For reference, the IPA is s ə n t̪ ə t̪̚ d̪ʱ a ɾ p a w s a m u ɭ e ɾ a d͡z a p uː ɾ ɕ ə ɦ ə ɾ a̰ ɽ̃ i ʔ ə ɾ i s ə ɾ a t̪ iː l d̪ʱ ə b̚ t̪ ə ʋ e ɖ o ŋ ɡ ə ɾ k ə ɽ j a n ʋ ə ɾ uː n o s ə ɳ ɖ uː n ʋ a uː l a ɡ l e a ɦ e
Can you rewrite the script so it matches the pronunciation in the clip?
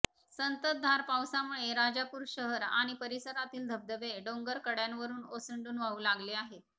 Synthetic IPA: s ə n t̪ ə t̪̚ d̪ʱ a ɾ p a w s a m u ɭ e ɾ a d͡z a p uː ɾ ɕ ə ɦ ə ɾ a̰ ɽ̃ i p ə ɾ i s ə ɾ a t̪ iː l d̪ʱ ə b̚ d̪ ə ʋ e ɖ o ŋ ɡ ə ɾ k ə ɽ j a n ʋ ə ɾ uː n o s ə ɳ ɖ uː n ʋ a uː l a ɡ l e a ɦ e